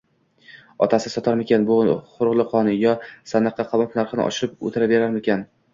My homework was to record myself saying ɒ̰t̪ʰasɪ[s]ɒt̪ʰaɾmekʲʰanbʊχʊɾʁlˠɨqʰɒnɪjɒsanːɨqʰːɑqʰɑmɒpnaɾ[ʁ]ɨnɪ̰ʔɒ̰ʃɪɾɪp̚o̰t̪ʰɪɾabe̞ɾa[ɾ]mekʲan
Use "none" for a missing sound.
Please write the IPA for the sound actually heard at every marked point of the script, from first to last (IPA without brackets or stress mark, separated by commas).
s, χ, ɾ